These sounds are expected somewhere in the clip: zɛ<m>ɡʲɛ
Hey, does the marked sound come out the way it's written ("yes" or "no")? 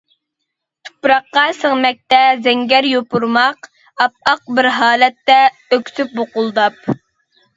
no